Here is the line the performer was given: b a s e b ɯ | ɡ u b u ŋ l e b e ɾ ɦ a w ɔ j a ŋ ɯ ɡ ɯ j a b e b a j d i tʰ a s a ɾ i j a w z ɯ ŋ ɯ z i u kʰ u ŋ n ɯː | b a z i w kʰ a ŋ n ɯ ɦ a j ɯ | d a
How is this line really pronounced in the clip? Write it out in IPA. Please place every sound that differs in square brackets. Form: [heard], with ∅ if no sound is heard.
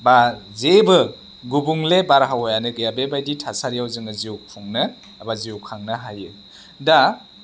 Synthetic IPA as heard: b a [z] e b ɯ | ɡ u b u ŋ l e b [a] ɾ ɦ a w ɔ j a [n] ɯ ɡ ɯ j a b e b a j d i tʰ a s a ɾ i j a w z ɯ ŋ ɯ z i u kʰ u ŋ n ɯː | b a z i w kʰ a ŋ n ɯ ɦ a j ɯ | d a